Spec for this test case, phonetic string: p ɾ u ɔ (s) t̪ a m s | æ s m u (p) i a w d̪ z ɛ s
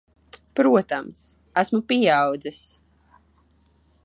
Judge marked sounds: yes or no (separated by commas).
no, yes